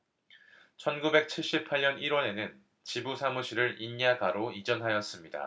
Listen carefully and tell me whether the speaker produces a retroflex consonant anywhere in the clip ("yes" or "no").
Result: yes